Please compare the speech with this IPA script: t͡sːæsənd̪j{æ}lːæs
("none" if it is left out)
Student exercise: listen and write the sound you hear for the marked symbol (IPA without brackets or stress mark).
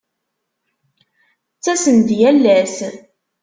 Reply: æ